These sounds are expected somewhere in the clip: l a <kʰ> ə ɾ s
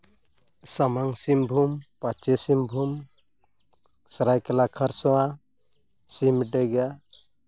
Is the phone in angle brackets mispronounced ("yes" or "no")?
no